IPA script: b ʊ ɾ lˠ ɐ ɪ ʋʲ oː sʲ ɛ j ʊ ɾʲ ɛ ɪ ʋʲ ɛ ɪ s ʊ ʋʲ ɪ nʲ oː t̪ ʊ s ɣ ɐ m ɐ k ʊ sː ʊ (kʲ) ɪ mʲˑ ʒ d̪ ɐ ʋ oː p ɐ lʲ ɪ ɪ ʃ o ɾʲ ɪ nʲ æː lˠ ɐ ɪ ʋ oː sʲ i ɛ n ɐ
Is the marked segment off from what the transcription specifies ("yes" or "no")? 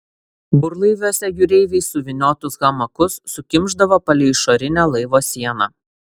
no